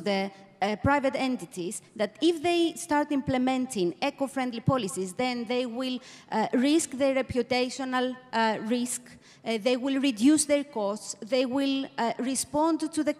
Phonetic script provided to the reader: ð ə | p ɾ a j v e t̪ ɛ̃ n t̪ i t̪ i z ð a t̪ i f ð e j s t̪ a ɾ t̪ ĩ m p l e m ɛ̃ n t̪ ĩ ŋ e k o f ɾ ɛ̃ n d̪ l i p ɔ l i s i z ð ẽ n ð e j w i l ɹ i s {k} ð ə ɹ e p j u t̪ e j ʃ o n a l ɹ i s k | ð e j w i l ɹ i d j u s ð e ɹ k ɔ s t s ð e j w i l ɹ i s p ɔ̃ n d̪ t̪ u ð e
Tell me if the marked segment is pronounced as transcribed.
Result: yes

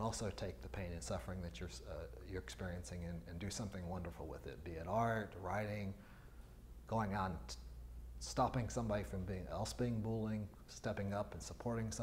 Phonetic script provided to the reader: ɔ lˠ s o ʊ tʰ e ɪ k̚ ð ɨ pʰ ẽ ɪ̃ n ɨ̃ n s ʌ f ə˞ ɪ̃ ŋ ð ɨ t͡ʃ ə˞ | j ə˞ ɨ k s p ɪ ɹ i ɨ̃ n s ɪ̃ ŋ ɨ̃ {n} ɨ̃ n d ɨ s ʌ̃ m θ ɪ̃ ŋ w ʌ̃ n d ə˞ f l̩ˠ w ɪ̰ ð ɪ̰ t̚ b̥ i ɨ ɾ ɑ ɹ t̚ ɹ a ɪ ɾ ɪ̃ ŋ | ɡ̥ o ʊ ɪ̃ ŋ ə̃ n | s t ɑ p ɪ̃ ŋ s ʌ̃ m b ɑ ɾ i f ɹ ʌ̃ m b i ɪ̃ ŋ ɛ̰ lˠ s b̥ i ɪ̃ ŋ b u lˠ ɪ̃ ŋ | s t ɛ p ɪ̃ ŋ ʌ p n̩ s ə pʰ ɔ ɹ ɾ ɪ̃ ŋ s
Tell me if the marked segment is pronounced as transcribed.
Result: yes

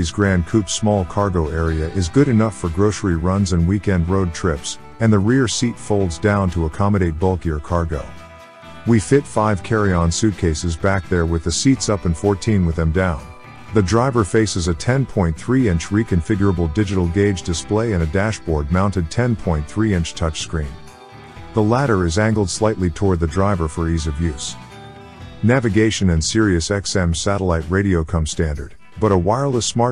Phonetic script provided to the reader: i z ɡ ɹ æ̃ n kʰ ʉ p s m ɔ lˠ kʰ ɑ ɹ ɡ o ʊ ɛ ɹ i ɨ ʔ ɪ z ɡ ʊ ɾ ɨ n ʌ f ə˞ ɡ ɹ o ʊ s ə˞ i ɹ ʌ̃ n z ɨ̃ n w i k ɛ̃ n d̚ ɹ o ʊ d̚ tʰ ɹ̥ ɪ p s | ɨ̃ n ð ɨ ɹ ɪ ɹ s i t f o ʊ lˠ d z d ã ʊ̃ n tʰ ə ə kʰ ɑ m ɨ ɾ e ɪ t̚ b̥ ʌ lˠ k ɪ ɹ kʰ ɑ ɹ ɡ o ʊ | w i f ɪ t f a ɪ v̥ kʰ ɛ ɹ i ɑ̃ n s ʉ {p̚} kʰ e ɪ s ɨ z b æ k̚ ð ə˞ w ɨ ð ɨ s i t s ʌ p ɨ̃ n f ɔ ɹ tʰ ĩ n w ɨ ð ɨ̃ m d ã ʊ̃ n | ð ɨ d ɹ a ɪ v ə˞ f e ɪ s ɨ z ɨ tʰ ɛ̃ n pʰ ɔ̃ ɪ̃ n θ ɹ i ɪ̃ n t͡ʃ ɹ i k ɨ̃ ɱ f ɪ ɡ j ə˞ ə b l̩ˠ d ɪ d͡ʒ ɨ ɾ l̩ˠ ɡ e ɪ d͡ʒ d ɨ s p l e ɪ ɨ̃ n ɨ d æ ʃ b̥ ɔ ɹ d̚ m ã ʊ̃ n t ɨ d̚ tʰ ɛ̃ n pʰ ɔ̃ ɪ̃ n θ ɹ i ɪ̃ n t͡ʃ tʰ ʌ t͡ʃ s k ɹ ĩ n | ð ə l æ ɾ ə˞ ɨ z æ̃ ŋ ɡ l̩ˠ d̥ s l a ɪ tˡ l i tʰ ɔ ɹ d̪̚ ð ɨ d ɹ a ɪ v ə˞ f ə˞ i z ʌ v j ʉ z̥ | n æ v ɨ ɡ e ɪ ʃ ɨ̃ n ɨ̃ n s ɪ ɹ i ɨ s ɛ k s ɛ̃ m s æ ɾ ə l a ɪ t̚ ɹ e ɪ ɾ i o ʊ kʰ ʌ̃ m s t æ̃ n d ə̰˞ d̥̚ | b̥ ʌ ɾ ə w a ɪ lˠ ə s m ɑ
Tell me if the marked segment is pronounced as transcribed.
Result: no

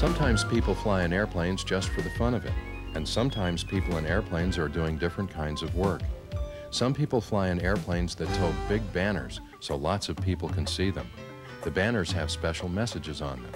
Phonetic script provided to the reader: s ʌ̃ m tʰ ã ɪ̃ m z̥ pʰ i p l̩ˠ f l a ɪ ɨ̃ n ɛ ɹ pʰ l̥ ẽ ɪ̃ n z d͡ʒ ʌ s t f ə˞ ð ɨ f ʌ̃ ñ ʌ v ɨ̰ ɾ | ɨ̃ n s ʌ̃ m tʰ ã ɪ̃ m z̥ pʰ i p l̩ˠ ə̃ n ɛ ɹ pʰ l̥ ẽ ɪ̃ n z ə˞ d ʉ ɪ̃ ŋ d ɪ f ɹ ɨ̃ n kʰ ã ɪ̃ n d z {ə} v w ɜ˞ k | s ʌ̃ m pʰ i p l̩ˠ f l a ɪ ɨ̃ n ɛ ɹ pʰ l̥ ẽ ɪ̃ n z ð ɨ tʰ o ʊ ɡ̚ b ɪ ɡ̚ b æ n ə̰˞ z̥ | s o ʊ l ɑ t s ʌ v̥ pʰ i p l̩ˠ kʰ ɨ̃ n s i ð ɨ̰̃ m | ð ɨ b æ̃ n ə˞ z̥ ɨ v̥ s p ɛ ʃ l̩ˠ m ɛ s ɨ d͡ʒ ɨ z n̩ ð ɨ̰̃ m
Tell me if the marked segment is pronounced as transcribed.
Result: no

